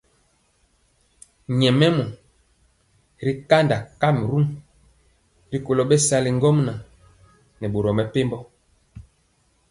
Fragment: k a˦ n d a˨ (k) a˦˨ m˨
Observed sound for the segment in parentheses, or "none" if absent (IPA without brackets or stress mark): k